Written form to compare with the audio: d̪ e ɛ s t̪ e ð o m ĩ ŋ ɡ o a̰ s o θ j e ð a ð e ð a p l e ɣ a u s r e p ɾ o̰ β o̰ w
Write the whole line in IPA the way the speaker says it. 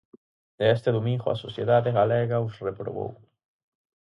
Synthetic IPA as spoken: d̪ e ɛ s t̪ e ð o m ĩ ŋ ɡ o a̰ s o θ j e ð a ð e ɣ a l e ɣ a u s r e p ɾ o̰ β o̰ w